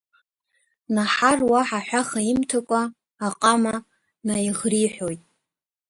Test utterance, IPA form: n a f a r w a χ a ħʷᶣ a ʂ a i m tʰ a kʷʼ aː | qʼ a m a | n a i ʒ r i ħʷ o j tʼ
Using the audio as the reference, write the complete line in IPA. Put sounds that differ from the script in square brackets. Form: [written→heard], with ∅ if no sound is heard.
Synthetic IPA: n a [f→ħ] a r w a [χ→ħ] a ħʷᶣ a [ʂ→χ] a i m tʰ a kʷʼ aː | qʼ a m a | n a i [ʒ→ʁ] r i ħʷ o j tʼ